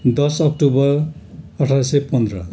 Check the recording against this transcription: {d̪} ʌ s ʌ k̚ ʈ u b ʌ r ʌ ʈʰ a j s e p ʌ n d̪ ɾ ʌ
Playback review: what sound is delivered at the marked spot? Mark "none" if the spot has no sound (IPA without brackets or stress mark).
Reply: d̪